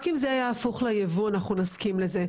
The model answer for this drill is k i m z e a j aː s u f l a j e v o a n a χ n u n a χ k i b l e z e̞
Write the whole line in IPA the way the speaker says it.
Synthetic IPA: k i m z e a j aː f u χ l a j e v u a n a χ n u n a s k i m l e z e̞